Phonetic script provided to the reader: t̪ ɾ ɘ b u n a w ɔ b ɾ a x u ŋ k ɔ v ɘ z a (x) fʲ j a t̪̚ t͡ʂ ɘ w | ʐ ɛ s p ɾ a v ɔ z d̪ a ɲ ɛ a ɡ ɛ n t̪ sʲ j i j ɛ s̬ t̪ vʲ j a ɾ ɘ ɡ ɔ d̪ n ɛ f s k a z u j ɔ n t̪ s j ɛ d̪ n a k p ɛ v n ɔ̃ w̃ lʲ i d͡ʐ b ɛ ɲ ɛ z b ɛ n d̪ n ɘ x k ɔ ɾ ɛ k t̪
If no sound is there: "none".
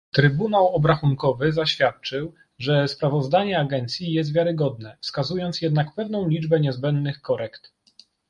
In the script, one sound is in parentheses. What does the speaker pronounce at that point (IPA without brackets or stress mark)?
ɕ